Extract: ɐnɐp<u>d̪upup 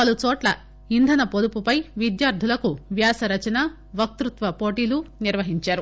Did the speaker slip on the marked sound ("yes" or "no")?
yes